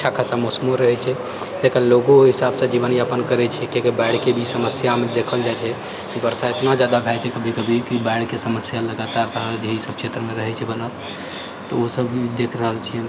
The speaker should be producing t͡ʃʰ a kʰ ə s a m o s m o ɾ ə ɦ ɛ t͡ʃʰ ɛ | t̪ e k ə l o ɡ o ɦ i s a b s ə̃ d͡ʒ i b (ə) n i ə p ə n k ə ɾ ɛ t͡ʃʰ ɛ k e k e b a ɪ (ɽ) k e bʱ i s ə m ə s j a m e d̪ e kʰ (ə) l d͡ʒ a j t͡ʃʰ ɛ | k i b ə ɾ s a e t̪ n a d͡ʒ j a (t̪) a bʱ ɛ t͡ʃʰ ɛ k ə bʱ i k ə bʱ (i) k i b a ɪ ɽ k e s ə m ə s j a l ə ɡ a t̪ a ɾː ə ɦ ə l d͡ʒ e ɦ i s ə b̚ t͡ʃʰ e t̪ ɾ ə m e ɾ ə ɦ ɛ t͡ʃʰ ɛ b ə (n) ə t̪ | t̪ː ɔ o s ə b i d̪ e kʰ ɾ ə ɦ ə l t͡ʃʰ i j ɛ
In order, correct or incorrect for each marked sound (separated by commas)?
correct, correct, correct, incorrect, correct, correct